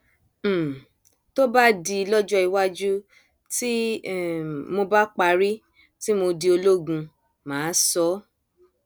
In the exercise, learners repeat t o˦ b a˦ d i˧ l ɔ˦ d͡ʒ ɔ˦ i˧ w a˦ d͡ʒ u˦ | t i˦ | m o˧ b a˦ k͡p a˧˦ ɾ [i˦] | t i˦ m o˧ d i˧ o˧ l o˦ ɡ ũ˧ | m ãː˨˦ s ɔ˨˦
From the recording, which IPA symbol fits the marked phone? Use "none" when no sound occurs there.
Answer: i˦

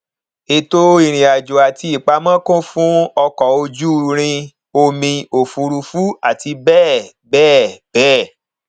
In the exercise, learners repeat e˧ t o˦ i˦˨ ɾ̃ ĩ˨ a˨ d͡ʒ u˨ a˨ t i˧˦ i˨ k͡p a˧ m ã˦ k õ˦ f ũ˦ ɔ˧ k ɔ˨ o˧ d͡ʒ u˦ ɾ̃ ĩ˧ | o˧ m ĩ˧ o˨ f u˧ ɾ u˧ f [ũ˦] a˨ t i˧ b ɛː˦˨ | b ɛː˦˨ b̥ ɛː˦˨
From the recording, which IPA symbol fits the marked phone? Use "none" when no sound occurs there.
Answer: u˦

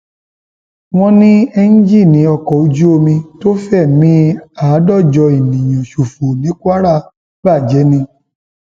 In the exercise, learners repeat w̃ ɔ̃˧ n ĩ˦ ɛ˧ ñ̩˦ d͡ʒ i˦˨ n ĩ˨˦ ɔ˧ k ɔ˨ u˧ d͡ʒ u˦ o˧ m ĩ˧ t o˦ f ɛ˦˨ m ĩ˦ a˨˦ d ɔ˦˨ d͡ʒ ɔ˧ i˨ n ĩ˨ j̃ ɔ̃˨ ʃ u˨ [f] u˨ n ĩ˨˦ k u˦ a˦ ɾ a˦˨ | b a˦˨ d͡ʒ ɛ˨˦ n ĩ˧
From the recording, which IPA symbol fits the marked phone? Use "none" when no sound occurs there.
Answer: f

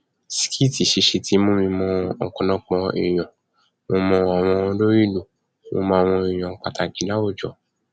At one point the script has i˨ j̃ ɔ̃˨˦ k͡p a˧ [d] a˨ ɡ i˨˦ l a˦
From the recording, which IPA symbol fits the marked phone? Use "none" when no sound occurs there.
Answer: t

